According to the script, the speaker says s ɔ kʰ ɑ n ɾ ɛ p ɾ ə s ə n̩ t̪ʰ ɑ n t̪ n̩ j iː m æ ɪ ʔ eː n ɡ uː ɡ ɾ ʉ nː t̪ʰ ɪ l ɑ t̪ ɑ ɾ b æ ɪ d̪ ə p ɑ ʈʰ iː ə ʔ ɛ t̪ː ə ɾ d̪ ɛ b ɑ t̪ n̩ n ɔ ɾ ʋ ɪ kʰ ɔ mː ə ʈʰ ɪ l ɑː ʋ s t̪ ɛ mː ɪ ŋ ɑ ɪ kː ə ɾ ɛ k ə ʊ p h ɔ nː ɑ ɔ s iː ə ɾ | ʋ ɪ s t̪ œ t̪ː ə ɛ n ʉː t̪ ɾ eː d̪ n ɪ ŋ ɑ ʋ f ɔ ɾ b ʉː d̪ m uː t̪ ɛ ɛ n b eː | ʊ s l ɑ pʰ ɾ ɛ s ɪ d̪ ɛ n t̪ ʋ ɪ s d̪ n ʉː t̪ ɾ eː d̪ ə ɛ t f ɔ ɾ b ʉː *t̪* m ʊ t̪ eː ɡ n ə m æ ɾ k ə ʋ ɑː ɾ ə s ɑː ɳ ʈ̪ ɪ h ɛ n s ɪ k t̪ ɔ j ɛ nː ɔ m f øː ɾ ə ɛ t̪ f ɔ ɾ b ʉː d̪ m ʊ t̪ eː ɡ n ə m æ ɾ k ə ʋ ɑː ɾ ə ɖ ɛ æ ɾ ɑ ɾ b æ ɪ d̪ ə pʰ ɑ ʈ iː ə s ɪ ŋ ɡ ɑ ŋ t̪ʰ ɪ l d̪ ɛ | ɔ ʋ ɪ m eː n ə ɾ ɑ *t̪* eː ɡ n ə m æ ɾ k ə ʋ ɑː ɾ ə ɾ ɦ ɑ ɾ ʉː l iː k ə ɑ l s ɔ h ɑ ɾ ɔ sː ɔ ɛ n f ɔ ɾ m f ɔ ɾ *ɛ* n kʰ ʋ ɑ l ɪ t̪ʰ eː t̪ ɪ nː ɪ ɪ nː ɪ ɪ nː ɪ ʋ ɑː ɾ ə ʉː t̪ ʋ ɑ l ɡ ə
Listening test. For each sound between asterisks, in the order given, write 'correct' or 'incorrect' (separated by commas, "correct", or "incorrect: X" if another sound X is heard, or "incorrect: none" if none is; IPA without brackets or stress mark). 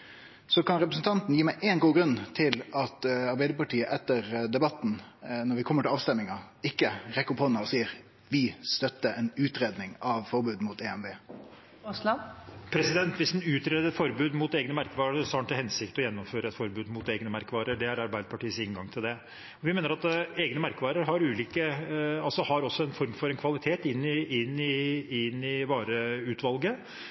incorrect: d̪, correct, correct